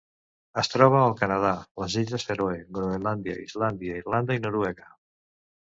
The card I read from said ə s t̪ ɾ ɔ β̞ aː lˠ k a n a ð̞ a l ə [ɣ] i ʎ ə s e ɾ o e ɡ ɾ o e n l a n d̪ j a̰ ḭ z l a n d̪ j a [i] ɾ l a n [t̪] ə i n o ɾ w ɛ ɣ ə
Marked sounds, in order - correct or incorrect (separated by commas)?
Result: incorrect, correct, incorrect